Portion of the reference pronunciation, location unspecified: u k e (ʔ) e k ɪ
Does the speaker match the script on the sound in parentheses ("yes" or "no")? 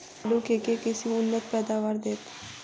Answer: no